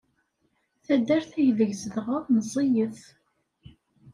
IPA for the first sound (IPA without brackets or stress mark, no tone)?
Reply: θ